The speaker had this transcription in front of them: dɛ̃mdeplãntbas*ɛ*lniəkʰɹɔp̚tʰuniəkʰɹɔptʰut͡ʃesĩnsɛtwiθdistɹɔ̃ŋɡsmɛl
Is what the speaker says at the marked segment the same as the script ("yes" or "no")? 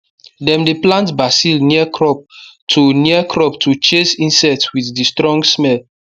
no